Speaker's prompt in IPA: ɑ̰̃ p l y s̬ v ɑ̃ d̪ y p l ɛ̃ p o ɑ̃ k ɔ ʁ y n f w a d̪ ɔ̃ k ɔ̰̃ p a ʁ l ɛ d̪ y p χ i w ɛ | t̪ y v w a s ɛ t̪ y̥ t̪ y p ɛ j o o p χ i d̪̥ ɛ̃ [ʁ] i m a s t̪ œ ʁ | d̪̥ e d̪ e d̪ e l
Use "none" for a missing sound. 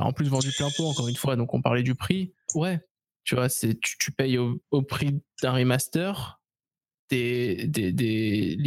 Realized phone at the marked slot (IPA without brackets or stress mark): ʁ